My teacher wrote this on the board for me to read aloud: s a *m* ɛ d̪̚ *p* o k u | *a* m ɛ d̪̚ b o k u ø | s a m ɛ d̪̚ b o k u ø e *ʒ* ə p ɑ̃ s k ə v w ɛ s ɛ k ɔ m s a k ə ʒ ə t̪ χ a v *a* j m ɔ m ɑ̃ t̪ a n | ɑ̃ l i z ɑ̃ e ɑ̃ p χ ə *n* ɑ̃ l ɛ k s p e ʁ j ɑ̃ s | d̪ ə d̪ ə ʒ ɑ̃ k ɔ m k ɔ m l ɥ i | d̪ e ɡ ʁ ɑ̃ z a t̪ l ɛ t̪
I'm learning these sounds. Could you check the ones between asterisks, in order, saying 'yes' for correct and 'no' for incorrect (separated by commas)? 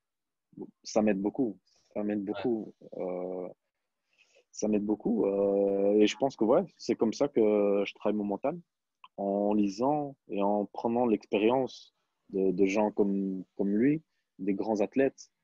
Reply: yes, no, yes, yes, yes, yes